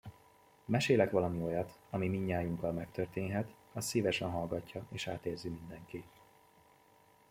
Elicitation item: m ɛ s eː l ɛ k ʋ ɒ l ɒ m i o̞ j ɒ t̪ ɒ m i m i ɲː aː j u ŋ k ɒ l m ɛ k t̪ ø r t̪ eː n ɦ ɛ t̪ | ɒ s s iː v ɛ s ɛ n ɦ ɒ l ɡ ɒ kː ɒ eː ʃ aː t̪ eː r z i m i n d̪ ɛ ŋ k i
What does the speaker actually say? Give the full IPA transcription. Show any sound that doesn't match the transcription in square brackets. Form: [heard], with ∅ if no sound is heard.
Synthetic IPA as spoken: m ɛ [ʃ] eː l ɛ k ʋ ɒ l ɒ m i o̞ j ɒ t̪ ɒ m i m i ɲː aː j u ŋ k ɒ l m ɛ k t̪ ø r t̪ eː n ɦ ɛ t̪ | ɒ s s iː v ɛ [ʃ] ɛ n ɦ ɒ l ɡ ɒ [cː] ɒ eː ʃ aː t̪ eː r z i m i n d̪ ɛ ŋ k i